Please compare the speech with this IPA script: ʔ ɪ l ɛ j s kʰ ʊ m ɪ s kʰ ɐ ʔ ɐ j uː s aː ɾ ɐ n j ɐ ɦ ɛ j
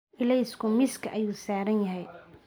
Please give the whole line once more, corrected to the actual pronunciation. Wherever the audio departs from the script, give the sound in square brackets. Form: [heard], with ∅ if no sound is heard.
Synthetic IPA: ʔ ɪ l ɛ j s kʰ ʊ m ɪ s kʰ ɐ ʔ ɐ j uː s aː ɾ ɐ n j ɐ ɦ ɛ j